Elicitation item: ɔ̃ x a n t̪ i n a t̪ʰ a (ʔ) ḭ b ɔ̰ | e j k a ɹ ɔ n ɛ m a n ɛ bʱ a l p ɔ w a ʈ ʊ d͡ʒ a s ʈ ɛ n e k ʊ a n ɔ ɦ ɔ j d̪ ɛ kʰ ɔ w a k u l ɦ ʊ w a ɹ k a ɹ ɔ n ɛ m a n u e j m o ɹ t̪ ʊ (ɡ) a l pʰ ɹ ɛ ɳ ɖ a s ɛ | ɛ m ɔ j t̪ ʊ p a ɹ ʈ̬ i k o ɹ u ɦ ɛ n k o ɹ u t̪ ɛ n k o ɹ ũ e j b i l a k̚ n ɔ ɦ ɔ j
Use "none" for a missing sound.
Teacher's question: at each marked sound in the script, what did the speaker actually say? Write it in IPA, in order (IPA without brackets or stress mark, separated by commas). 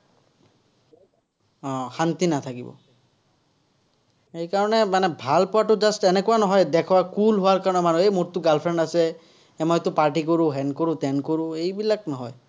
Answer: k, ɡ